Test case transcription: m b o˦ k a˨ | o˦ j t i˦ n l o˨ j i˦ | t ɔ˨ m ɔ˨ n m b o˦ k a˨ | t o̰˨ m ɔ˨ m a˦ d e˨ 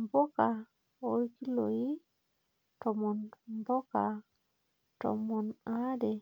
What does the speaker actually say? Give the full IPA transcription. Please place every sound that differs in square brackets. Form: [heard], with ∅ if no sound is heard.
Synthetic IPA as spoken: m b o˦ k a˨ | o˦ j [k] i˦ [∅] l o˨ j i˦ | t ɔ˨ m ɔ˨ n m b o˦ k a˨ | t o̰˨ m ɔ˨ [n] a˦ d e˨